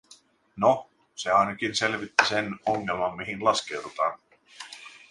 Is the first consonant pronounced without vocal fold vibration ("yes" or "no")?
no